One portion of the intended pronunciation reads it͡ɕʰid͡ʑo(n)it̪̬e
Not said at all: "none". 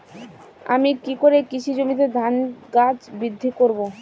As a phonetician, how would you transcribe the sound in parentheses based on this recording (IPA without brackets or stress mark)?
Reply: m